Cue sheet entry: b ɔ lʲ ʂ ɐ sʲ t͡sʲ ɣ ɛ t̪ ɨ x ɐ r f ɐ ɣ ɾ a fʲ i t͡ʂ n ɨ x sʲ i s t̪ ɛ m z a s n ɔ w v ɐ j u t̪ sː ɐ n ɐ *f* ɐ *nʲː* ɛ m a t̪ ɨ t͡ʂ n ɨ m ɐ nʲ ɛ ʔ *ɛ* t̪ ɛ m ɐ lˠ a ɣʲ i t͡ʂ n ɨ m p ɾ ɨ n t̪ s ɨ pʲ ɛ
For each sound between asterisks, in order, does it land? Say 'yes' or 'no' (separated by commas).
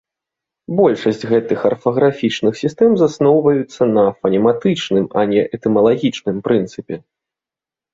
yes, no, yes